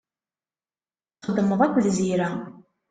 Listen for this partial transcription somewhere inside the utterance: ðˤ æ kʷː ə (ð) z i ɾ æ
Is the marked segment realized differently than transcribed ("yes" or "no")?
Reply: no